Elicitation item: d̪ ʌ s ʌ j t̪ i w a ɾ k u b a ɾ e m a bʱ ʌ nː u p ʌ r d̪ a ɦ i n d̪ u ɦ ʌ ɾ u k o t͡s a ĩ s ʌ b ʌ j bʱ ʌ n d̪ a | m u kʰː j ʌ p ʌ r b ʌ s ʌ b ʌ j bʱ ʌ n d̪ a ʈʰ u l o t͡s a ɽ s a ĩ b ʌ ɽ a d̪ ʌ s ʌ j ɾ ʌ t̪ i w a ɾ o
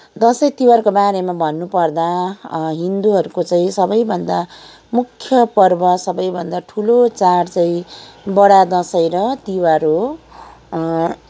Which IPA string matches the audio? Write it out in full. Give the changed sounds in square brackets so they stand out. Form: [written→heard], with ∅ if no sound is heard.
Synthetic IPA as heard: d̪ ʌ s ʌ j t̪ i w a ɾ k [u→o] b a ɾ e m a bʱ ʌ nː u p ʌ r d̪ a ɦ i n d̪ u ɦ ʌ ɾ u k o t͡s a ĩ s ʌ b ʌ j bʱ ʌ n d̪ a | m u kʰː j ʌ p ʌ r b ʌ s ʌ b ʌ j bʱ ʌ n d̪ a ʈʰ u l o t͡s a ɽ [s→t͡s] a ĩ b ʌ ɽ a d̪ ʌ s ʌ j ɾ ʌ t̪ i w a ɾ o